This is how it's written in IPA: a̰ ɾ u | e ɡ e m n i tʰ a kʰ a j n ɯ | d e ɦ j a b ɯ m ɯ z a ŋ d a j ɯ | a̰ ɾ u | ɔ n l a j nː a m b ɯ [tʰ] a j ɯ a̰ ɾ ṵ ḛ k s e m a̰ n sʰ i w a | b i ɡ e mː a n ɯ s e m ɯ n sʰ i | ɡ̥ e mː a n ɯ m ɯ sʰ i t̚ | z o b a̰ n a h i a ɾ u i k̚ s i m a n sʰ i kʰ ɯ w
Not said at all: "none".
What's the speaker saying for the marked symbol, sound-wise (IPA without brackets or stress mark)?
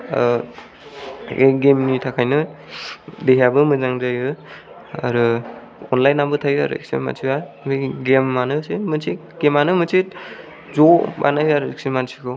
tʰ